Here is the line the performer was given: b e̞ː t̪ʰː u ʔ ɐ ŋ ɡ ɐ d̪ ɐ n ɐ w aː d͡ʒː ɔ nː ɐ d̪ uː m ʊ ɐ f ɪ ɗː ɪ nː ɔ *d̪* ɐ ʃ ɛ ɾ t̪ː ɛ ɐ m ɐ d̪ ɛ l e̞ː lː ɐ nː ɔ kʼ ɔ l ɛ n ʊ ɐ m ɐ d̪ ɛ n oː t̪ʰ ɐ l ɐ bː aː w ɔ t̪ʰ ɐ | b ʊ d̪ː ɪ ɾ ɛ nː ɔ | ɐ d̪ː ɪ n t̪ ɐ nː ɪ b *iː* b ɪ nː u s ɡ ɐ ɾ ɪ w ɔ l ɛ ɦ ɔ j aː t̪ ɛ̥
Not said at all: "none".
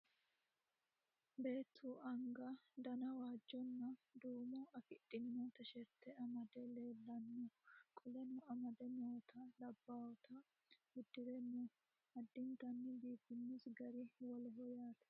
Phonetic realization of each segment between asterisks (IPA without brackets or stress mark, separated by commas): t̪, iː